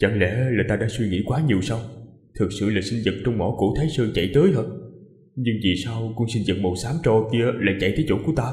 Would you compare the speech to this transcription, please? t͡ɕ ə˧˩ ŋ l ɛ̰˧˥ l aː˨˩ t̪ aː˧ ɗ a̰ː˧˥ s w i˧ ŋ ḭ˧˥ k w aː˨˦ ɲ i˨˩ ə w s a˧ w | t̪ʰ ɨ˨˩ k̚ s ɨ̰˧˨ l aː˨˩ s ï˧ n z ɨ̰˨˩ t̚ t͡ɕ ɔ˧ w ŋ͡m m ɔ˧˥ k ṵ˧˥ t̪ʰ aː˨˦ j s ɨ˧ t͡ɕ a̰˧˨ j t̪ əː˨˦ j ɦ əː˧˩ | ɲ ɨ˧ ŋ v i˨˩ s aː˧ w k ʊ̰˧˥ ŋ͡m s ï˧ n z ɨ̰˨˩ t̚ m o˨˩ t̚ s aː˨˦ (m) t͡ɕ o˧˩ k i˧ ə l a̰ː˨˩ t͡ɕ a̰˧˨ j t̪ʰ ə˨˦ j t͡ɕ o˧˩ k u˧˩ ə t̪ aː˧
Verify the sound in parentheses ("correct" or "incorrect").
correct